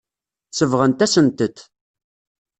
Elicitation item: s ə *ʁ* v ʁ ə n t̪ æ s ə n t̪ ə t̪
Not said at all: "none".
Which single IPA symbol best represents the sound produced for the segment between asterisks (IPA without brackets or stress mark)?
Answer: none